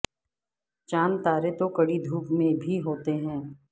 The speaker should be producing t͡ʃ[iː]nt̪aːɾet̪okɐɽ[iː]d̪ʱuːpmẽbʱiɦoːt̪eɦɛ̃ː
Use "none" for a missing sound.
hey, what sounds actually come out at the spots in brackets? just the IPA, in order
aː, i

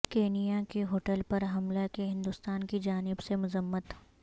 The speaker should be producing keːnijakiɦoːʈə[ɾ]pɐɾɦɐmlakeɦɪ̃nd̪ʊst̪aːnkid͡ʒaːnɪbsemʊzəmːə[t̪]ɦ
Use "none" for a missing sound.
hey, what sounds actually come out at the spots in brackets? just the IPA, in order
l, t̪

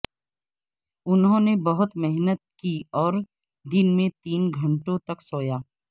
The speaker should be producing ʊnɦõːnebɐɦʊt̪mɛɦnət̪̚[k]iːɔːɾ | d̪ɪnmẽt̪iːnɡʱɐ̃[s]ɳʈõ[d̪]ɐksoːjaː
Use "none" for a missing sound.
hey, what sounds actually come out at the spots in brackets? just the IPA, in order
k, none, t̪

